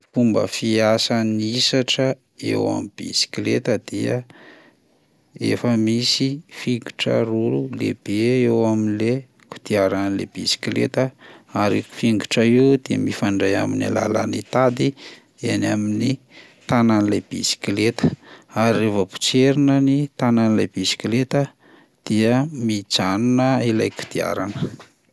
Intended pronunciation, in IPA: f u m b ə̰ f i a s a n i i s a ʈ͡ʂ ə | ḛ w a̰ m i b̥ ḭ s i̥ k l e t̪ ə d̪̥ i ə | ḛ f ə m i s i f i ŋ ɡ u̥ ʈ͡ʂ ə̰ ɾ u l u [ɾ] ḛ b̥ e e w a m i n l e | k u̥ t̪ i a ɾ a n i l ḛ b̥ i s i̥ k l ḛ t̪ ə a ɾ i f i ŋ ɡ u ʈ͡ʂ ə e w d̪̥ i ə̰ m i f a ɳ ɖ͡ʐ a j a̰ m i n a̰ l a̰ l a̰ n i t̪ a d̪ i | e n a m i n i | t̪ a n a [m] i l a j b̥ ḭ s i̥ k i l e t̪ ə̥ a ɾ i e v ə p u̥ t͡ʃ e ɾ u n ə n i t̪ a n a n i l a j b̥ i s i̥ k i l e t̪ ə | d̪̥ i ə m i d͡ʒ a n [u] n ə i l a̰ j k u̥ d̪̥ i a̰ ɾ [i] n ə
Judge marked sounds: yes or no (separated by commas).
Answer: no, no, yes, no